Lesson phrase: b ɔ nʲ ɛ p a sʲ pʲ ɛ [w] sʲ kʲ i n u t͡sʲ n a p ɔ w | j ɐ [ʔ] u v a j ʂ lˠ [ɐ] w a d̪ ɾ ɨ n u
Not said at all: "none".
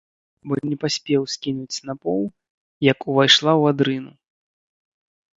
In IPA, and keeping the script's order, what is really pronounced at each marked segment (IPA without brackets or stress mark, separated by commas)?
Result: w, k, a